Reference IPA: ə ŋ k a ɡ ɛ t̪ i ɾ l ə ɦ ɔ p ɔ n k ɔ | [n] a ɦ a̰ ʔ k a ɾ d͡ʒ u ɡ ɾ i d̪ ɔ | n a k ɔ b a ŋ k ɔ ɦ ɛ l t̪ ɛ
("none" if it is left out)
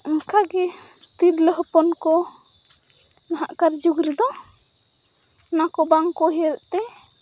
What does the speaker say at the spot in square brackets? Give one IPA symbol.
n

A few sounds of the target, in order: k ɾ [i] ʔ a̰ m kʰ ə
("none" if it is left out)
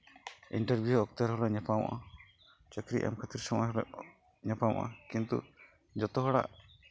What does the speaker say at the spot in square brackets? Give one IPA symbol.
i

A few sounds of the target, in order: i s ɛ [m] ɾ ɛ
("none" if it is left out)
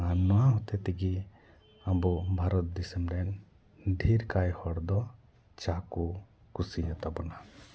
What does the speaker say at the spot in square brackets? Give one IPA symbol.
m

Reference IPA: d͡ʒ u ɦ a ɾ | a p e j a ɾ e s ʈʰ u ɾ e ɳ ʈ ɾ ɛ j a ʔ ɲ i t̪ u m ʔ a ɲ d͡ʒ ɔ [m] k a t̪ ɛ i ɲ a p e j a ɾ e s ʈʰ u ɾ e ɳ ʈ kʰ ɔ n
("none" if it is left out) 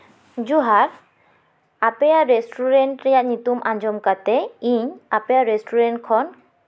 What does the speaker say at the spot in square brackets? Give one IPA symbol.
m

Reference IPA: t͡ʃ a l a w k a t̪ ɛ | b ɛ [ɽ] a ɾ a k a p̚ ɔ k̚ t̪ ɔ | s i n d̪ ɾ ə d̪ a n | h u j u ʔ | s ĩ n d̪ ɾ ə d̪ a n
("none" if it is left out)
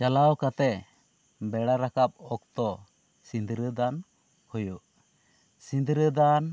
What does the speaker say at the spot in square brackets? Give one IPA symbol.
ɽ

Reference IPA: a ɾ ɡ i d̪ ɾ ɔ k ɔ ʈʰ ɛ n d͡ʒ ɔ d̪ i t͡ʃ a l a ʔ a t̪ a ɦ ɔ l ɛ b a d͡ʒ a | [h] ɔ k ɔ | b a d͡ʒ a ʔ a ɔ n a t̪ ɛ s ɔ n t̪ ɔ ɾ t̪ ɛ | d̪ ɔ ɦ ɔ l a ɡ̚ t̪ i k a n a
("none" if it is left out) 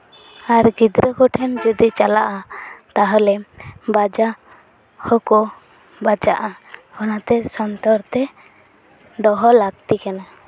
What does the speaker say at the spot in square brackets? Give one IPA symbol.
h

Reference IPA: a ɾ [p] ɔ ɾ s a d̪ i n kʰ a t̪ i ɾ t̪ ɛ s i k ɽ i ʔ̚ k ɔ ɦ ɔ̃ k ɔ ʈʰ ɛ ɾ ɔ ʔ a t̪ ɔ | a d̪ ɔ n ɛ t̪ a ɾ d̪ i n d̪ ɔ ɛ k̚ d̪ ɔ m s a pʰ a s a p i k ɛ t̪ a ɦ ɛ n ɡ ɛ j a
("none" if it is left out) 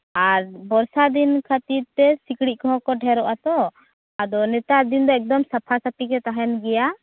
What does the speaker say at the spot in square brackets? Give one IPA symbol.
b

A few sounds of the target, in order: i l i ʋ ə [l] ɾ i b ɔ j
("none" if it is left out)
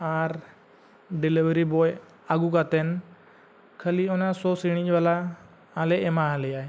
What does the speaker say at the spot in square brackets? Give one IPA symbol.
none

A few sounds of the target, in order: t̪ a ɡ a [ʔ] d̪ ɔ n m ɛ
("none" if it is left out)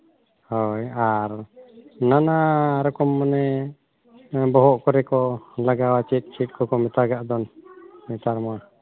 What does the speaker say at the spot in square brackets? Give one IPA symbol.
ʔ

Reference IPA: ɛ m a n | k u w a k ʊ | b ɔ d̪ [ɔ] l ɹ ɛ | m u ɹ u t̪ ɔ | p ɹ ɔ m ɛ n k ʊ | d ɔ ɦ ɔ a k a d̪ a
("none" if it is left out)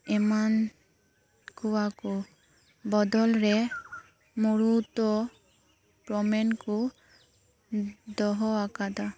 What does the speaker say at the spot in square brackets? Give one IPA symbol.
ɔ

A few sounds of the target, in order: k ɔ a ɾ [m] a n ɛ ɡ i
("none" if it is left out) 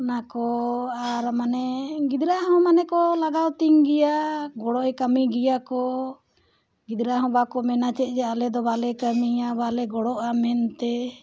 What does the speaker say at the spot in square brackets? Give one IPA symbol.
m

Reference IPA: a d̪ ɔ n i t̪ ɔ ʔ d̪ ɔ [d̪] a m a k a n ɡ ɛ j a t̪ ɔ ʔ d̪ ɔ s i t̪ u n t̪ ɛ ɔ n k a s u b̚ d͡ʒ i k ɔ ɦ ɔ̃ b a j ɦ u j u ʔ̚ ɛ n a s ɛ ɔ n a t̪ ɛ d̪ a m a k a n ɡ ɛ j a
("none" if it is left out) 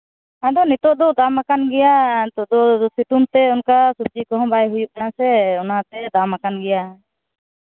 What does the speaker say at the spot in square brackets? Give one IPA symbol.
d̪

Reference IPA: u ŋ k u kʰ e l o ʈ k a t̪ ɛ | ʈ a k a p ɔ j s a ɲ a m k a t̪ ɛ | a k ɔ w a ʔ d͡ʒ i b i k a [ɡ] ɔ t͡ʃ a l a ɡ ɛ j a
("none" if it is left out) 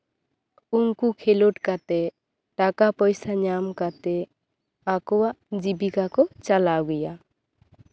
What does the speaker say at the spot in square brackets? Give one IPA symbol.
k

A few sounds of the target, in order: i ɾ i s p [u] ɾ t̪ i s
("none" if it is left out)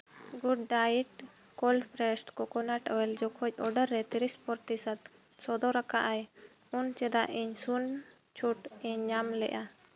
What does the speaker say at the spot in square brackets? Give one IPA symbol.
ɔ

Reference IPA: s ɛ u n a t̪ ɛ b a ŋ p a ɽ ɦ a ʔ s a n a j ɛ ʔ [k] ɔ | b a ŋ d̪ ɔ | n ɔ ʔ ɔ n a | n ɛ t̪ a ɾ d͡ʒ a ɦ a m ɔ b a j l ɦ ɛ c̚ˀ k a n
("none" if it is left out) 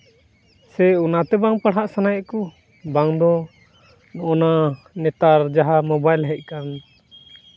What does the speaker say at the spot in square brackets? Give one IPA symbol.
k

